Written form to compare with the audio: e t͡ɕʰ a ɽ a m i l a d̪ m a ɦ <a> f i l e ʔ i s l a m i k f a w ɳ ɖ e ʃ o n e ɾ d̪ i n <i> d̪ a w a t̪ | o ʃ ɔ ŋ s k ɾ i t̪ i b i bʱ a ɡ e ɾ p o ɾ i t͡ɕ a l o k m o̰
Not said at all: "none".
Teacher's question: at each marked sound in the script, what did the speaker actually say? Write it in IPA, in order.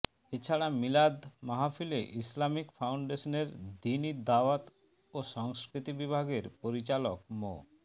a, i

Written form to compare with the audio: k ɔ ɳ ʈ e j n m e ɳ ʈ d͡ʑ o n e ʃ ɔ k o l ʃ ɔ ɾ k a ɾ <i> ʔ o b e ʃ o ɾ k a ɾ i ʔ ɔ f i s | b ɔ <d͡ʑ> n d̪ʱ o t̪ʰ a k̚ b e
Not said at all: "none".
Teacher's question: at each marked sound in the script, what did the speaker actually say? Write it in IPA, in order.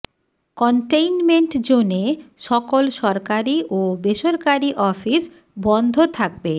i, none

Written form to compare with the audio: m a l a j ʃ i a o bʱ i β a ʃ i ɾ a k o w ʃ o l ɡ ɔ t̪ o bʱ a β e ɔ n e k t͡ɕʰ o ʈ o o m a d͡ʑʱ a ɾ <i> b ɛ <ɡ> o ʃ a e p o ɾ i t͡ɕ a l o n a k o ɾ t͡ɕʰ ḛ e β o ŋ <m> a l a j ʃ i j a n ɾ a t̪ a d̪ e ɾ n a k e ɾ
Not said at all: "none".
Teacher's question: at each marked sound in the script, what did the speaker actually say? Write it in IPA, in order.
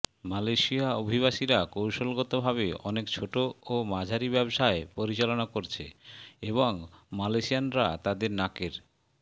i, b, m

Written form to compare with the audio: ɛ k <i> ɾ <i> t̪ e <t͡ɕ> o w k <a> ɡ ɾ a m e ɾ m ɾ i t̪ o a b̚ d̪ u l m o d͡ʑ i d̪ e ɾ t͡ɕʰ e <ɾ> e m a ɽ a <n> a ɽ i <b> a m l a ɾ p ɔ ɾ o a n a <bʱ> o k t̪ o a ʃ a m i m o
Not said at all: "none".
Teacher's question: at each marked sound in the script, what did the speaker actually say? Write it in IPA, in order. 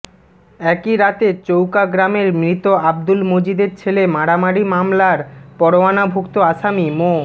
i, a, t͡ɕ, a, l, m, m, bʱ

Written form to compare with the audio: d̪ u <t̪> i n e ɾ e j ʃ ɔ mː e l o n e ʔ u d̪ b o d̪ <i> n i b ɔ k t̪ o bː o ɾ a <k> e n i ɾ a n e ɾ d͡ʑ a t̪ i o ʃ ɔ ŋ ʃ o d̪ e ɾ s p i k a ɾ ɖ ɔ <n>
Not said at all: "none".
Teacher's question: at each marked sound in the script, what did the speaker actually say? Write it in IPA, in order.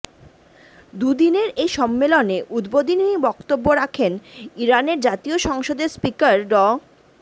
d̪, i, kʰ, none

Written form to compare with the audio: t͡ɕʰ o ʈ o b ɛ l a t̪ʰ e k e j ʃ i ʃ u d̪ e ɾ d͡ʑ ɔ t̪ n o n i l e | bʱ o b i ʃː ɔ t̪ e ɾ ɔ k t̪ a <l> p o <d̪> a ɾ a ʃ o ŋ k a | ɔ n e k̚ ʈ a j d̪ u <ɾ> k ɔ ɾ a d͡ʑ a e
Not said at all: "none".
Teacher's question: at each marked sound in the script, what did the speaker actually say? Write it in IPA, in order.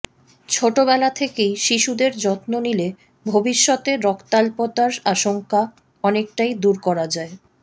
l, t̪, ɾ

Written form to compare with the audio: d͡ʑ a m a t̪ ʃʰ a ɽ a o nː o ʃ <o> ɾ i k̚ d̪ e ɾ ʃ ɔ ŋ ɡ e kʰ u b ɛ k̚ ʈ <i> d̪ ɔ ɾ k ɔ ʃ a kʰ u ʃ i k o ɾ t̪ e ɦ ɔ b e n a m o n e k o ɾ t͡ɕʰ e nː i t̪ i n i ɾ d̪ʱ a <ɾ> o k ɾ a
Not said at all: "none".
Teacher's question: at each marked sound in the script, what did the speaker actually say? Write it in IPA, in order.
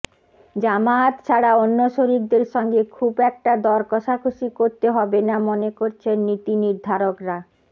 o, a, ɾ

